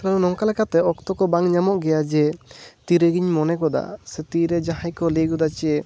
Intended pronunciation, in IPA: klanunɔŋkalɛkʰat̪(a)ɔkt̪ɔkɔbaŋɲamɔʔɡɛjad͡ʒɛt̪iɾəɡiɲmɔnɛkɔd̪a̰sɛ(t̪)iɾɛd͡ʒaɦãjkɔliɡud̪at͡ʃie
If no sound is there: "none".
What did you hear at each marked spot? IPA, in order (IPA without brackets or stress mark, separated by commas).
ɛ, t̪